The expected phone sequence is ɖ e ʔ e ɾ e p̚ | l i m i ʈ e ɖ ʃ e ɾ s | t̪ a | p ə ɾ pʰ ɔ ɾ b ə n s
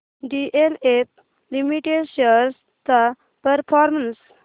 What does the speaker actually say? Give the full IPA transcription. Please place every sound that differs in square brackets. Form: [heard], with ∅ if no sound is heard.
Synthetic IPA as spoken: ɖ [i] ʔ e [l] e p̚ | l i m i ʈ e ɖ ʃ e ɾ s | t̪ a | p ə ɾ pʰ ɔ ɾ [m] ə n s